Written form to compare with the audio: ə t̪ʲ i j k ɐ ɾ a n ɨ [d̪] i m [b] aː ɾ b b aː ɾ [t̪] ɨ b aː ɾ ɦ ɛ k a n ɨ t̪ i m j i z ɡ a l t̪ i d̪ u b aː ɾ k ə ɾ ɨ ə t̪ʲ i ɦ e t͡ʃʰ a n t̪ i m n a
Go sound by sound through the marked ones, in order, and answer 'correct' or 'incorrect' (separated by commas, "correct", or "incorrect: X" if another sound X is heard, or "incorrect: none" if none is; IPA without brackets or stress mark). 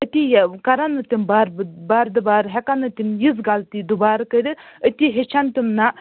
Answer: incorrect: t̪, correct, incorrect: d̪